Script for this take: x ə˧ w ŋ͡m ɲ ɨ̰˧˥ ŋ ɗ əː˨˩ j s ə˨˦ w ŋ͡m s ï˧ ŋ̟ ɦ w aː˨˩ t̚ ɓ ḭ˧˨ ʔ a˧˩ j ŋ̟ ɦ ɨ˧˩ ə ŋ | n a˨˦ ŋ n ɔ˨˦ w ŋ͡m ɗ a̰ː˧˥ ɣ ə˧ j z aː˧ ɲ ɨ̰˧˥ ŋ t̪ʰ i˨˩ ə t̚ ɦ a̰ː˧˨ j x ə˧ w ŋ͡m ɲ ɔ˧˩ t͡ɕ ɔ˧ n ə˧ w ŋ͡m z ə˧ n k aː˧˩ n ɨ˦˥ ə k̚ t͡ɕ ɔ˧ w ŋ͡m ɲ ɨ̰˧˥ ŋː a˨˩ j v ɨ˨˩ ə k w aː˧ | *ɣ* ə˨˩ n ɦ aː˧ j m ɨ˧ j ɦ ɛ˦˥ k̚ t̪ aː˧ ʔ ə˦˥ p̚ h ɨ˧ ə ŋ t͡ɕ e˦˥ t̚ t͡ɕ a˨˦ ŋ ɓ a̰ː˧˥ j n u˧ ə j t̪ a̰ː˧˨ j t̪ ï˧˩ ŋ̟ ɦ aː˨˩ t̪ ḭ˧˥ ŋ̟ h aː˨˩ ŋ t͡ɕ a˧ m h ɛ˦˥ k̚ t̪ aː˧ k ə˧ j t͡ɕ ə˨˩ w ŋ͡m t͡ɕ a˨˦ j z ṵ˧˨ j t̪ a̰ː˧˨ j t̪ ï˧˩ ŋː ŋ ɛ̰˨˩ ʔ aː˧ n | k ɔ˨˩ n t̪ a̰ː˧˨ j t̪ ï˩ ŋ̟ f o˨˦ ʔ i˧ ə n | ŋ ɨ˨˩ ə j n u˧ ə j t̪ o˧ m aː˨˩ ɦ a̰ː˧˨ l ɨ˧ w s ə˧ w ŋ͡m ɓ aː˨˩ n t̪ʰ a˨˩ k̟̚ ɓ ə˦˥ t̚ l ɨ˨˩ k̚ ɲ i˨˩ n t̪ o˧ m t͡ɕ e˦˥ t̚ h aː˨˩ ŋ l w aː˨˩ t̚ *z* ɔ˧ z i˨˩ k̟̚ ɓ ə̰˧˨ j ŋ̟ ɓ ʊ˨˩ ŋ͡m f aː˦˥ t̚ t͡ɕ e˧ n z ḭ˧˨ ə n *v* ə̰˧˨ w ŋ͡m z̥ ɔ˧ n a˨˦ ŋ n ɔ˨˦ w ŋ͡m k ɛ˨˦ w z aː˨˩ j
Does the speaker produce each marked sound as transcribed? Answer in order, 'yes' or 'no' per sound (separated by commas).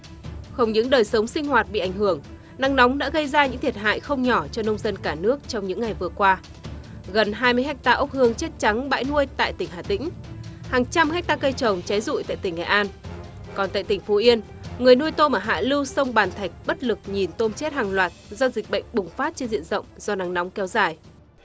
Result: yes, yes, no